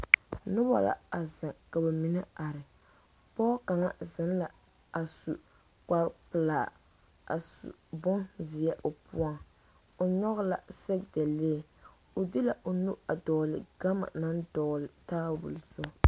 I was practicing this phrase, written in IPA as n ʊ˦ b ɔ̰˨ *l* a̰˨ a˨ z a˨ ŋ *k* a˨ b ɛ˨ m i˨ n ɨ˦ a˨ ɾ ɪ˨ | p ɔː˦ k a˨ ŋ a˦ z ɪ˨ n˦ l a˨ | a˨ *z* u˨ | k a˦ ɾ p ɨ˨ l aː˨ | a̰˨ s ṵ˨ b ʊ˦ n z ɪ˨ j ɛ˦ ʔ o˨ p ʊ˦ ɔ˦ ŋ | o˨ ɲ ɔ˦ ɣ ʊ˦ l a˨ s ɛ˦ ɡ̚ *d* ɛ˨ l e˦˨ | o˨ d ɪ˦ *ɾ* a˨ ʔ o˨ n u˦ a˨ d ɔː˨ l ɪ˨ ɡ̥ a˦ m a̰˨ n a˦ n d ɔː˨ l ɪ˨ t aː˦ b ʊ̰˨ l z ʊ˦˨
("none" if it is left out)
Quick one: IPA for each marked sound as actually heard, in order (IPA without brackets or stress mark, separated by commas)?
l, k, s, d, l